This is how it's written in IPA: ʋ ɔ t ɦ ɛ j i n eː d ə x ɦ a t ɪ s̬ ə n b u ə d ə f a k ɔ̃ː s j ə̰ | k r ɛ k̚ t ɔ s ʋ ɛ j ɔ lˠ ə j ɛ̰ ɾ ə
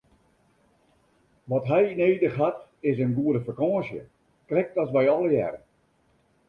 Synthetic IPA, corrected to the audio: ʋ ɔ t ɦ ɛ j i n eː d ə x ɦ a t ɪ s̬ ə n ɡ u ə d ə f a k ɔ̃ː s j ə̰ | k r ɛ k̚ t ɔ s ʋ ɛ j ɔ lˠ ə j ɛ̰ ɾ ə